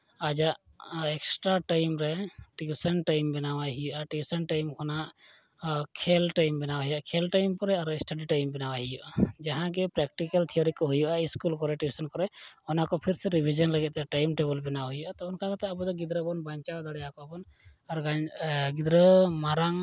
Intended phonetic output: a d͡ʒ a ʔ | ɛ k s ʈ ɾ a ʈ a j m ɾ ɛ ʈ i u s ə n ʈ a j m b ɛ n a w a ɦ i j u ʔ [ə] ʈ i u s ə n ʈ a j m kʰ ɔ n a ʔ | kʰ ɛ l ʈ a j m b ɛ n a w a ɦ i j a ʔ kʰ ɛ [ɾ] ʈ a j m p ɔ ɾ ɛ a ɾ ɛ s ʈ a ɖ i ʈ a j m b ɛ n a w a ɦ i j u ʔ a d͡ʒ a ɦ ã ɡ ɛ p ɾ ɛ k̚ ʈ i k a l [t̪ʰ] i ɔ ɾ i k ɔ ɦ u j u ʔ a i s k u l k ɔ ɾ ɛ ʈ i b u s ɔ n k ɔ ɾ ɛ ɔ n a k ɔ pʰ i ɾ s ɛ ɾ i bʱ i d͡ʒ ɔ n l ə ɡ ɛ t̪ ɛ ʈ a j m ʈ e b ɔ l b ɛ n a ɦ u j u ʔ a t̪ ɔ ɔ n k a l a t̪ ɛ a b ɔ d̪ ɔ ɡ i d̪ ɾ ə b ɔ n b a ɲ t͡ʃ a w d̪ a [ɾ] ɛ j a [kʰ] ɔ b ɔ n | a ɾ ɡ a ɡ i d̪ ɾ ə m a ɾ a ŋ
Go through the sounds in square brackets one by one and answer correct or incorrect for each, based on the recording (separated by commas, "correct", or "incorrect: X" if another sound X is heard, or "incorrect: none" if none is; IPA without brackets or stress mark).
incorrect: a, incorrect: l, correct, incorrect: ɽ, incorrect: k